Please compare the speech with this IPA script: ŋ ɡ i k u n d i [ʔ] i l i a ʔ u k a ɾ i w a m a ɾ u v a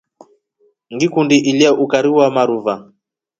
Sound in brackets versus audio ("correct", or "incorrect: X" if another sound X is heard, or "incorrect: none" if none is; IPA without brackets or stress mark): correct